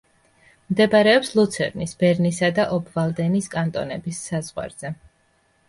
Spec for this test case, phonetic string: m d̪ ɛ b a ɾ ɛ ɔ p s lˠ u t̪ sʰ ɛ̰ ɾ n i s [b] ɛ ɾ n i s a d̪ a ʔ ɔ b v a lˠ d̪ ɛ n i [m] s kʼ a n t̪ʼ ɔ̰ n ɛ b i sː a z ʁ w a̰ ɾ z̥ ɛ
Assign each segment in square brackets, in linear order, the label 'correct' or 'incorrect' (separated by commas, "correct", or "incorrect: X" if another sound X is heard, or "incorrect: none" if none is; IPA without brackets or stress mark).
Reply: correct, incorrect: none